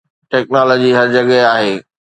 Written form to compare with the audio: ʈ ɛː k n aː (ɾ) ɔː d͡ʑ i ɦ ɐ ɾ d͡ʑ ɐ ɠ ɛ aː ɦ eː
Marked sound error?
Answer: yes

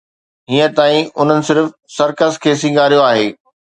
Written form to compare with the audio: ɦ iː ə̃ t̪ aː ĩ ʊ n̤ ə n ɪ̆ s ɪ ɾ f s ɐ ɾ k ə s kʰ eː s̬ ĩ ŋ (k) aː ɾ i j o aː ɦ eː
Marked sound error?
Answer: yes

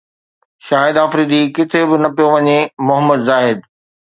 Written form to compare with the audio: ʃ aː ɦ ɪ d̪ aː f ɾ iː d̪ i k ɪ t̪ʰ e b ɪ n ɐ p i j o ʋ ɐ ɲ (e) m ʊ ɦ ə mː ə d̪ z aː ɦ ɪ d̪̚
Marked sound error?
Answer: no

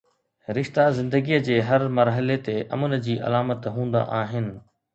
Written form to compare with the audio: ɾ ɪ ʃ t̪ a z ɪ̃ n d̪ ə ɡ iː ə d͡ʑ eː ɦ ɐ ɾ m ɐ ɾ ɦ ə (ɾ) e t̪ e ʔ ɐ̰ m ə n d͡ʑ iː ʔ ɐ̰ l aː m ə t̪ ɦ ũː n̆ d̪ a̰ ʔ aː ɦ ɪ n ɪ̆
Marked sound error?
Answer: yes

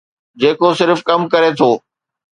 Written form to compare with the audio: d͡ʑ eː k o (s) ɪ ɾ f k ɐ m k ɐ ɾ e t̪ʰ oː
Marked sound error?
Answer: no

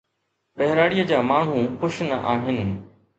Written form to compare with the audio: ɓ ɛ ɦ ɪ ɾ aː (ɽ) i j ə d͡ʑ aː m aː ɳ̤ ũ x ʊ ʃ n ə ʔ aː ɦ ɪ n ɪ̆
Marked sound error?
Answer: no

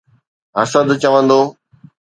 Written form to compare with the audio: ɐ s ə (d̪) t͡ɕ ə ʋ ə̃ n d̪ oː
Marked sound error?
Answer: no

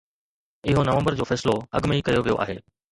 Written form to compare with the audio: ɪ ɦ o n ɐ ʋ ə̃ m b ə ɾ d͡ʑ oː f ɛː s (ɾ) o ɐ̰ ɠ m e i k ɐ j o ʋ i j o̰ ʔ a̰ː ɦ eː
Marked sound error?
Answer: yes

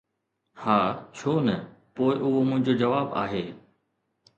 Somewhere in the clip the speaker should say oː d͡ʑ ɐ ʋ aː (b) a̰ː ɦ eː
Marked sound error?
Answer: no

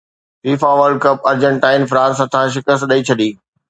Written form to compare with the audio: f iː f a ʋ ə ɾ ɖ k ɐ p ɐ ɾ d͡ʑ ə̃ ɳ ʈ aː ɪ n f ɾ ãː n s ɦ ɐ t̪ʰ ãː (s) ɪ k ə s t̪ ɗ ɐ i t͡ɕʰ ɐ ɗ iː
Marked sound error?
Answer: yes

